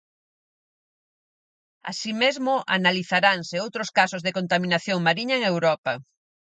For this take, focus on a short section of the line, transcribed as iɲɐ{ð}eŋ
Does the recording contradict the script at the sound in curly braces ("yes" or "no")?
yes